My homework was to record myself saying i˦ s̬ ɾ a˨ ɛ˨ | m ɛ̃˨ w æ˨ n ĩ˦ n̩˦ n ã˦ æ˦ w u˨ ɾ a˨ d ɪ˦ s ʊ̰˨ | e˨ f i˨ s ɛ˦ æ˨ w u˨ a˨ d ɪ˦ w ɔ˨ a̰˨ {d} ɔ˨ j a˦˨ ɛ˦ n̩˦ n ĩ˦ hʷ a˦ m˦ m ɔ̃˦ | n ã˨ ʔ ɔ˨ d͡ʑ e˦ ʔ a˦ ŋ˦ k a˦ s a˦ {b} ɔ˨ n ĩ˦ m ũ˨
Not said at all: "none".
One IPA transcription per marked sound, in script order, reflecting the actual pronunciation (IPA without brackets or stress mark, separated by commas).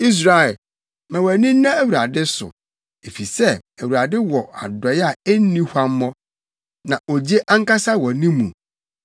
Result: d, w